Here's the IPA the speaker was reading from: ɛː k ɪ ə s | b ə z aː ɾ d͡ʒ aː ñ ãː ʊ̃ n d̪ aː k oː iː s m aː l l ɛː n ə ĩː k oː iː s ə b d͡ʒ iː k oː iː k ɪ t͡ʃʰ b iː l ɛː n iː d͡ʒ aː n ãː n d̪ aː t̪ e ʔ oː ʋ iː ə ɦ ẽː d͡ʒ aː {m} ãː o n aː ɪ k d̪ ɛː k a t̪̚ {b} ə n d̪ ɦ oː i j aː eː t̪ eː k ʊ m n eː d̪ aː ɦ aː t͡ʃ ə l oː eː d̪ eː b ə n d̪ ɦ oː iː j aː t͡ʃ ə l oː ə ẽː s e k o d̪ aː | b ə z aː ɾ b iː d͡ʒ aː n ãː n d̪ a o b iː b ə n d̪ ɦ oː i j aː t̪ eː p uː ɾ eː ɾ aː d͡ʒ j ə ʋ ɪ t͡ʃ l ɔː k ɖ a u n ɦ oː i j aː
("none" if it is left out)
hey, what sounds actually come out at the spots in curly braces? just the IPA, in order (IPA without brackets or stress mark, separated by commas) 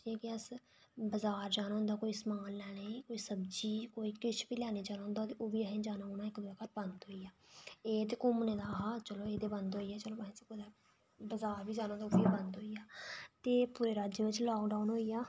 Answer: n, b